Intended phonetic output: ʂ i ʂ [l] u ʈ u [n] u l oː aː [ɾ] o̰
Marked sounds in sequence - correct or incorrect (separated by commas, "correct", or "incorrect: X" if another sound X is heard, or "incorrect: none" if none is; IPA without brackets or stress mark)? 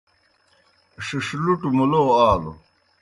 correct, incorrect: m, incorrect: l